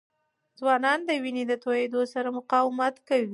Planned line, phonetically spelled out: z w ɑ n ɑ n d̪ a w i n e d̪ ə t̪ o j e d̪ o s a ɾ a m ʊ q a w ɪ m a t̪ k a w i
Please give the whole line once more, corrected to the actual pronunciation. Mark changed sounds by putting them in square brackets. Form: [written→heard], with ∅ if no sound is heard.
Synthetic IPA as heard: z w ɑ n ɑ n d̪ [a→ə] w i n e d̪ ə t̪ o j e d̪ o s a ɾ a m ʊ q [a→ɑ] w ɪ m a t̪ k a w i